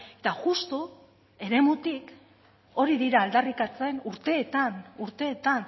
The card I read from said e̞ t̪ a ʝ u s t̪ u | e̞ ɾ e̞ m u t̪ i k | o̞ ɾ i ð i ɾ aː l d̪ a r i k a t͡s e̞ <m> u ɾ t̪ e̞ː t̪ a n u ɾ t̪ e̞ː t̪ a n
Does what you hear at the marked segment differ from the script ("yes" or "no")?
yes